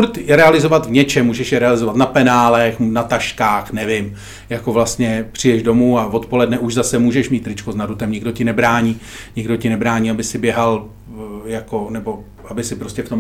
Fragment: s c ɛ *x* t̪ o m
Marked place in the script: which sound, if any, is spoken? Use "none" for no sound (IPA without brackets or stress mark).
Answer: f